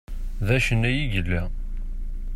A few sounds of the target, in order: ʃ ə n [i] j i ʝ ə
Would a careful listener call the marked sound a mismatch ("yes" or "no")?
yes